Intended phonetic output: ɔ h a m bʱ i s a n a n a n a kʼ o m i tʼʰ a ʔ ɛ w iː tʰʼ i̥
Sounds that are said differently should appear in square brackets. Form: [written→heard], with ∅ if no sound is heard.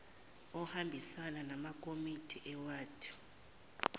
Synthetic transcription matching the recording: ɔ h a m bʱ i s a n a n a [n→m] a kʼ o m i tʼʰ [a→i] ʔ ɛ w [iː→aː] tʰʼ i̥